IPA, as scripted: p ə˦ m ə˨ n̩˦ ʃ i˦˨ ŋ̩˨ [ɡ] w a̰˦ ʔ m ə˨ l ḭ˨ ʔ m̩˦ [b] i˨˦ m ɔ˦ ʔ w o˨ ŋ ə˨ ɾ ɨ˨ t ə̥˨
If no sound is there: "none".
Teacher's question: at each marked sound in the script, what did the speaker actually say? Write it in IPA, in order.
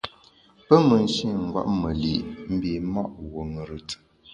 ɡ, b

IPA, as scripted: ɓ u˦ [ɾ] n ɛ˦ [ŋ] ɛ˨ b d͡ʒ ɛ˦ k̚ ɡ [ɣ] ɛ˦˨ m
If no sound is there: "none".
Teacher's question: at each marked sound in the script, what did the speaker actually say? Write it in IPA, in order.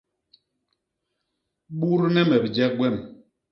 ɾ, m, w

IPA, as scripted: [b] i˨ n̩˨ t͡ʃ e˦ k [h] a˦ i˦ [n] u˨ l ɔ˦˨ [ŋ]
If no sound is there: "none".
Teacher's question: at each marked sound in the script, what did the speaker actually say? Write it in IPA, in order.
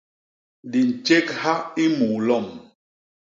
d, h, m, m

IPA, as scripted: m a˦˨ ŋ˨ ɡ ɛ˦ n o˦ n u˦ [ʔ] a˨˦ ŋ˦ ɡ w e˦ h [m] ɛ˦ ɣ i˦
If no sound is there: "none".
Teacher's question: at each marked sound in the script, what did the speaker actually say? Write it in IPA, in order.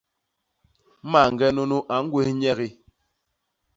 ʔ, ɲ

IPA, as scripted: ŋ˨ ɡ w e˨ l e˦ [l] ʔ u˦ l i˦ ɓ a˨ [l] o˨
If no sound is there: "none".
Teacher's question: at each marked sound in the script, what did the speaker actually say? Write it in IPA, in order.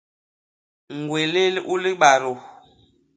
l, ɾ

